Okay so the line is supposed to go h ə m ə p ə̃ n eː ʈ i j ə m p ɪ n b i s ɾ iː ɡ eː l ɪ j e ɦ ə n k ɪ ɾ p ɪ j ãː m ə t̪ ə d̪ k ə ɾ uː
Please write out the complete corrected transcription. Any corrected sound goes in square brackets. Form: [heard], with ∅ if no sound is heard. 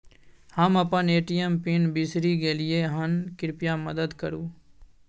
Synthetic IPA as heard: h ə m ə p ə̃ n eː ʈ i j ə m p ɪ n b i s ɾ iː ɡ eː l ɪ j e ɦ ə n k ɪ ɾ p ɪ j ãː m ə [d̪] ə d̪ k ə ɾ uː